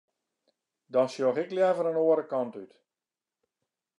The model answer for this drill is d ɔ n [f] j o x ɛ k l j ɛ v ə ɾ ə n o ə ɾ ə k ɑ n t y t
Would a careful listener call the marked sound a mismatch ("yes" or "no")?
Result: yes